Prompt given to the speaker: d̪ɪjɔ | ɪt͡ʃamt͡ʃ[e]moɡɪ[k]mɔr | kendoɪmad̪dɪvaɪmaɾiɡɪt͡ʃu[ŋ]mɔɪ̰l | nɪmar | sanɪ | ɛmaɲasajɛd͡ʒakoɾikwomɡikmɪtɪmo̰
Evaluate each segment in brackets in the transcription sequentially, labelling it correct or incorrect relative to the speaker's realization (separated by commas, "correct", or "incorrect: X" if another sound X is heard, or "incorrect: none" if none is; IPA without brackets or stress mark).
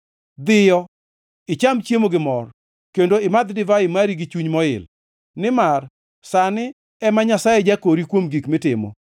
correct, incorrect: none, incorrect: ɲ